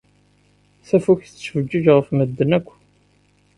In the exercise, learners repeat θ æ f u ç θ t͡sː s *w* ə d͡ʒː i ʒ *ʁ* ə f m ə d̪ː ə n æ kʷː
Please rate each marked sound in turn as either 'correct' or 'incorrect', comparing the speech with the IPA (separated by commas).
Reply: incorrect, correct